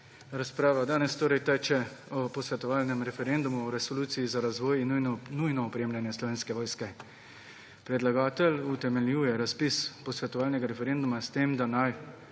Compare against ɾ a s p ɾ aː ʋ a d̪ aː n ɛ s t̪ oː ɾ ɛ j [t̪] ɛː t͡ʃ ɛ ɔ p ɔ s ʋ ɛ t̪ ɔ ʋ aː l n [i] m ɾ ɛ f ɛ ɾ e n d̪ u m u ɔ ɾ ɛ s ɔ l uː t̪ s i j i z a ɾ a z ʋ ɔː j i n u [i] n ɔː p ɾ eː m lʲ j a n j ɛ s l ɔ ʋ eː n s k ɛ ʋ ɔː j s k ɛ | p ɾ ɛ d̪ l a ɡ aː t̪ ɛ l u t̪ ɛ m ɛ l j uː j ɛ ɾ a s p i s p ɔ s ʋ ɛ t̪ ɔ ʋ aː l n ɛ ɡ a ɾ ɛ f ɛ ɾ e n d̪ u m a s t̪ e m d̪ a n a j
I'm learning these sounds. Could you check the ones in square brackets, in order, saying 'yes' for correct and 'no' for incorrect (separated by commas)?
yes, no, no